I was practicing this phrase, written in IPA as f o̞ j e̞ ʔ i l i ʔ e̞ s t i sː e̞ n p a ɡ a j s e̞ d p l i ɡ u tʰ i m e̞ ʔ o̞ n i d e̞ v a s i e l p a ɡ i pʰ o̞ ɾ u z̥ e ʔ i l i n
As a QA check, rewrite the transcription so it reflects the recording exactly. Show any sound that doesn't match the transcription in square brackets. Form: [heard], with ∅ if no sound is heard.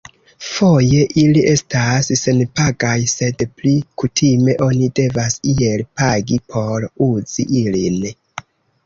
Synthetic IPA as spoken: f o̞ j e̞ ʔ i l i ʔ e̞ s t [a] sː e̞ n p a ɡ a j s e̞ d p l i [k] u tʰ i m e̞ ʔ o̞ n i d e̞ v a s i e l p a ɡ i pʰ o̞ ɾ u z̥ [i] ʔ i l i n